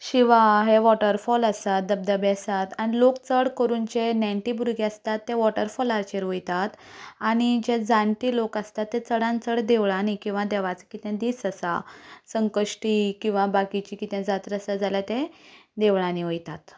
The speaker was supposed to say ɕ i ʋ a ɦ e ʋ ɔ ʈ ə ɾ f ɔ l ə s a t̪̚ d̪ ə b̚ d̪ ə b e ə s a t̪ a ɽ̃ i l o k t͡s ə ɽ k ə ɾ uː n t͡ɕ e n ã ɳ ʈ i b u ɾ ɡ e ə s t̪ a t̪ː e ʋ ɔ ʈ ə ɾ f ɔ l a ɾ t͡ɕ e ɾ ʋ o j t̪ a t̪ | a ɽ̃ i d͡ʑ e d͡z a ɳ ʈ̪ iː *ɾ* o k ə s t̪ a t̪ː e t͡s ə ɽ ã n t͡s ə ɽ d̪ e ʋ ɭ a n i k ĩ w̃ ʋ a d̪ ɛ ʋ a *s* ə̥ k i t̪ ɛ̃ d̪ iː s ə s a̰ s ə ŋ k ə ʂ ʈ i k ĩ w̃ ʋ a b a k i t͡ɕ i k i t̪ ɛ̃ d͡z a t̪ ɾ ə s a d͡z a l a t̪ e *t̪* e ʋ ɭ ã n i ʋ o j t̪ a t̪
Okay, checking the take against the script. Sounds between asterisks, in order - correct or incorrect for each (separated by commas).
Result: incorrect, incorrect, incorrect